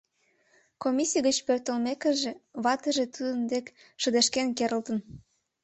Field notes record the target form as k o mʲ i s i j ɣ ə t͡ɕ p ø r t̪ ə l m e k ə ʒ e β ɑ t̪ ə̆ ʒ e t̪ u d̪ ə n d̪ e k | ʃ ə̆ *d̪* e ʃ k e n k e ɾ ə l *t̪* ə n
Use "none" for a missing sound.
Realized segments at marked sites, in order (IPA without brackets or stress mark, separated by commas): d̪, t̪